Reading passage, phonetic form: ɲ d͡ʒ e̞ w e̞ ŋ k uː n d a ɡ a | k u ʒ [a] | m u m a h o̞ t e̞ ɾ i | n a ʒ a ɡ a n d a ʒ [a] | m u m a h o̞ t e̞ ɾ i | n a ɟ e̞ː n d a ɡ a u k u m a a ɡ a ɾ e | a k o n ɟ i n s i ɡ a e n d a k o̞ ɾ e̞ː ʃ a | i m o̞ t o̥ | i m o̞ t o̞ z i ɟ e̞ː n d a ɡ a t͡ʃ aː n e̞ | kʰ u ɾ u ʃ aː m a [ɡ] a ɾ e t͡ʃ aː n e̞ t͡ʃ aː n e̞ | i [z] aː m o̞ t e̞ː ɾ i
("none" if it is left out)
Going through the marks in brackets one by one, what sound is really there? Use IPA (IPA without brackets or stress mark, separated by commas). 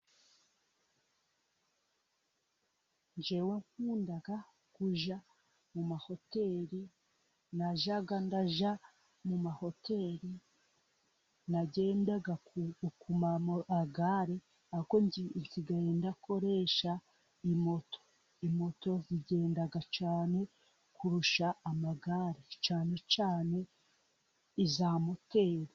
a, a, ɡ, z